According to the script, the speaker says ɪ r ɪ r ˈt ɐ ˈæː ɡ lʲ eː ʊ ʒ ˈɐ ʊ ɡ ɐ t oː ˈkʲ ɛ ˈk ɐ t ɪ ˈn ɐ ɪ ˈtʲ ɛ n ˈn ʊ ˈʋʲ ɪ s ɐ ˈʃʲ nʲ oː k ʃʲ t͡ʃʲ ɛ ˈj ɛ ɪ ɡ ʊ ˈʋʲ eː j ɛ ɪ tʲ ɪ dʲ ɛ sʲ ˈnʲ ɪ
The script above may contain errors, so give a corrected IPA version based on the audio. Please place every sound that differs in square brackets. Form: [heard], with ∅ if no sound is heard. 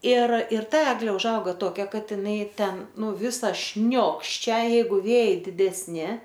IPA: ɪ r ɪ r ˈt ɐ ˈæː ɡ lʲ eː ʊ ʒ ˈɐ ʊ ɡ ɐ t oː ˈkʲ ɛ ˈk ɐ t ɪ ˈn ɐ ɪ ˈtʲ ɛ n ˈn ʊ ˈʋʲ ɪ s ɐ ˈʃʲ nʲ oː k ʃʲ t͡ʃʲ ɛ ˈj ɛ ɪ ɡ ʊ ˈʋʲ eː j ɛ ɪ [dʲ] ɪ dʲ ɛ sʲ ˈnʲ ɪ